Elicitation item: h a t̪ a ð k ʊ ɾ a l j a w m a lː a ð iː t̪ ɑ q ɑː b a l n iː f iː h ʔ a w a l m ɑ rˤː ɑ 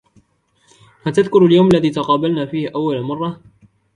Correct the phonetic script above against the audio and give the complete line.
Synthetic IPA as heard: h a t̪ a ð k ʊ ɾ a l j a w m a lː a ð iː t̪ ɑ q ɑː b a l n aː f iː h ʔ a wː a l m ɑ rˤː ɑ